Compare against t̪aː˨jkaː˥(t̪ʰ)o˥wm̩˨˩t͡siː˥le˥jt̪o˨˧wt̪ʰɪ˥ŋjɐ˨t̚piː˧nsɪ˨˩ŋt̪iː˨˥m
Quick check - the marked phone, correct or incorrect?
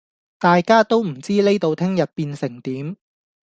incorrect